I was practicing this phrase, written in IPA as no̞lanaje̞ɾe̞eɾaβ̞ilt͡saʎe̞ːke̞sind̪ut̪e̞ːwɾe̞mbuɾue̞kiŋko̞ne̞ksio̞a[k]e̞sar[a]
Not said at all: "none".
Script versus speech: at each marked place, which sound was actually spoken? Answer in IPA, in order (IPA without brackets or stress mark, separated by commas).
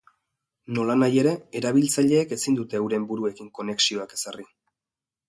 k, i